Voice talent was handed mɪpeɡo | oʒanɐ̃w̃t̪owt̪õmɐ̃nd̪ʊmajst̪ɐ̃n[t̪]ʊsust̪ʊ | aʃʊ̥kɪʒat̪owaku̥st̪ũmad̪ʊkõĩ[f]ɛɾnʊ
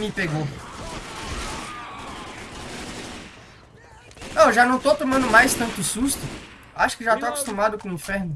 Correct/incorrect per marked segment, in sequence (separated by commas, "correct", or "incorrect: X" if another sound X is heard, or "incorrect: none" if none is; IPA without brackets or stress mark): correct, correct